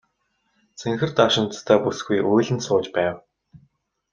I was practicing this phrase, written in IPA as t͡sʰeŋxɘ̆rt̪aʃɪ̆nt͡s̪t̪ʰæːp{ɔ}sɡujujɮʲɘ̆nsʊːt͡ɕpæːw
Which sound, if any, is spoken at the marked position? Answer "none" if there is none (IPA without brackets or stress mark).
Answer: u